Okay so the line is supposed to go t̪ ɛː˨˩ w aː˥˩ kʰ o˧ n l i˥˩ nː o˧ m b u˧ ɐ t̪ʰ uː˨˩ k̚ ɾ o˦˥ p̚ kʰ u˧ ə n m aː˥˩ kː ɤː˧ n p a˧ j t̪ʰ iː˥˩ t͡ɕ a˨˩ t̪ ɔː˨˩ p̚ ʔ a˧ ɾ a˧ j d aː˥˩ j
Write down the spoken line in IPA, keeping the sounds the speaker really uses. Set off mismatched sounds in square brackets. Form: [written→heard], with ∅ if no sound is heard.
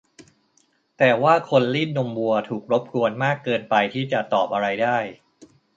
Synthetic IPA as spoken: t̪ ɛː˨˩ w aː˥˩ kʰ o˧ n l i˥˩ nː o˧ m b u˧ ɐ t̪ʰ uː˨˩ k̚ ɾ o˦˥ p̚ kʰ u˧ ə n m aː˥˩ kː ɤː˧ n p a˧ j t̪ʰ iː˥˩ t͡ɕ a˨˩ t̪ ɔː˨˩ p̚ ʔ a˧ ɾ a˧ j d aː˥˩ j